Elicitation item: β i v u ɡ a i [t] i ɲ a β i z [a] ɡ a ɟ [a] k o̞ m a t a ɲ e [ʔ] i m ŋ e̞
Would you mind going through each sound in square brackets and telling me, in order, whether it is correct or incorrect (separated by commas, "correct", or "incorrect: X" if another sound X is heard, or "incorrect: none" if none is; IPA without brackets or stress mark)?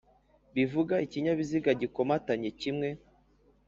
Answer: incorrect: c, incorrect: i, incorrect: i, incorrect: c